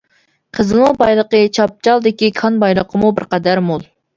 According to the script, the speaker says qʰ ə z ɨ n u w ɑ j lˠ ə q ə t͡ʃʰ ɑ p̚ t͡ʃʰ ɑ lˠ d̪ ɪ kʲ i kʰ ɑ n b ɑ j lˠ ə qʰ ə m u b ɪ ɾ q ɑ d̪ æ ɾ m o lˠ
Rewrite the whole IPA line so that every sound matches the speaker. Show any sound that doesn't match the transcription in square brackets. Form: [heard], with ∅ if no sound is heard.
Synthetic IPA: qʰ ə z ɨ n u [b] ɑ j lˠ ə q ə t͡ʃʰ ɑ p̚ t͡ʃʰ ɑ lˠ d̪ ɪ kʲ i kʰ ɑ n b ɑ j lˠ ə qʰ ə m u b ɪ ɾ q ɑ d̪ æ ɾ m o lˠ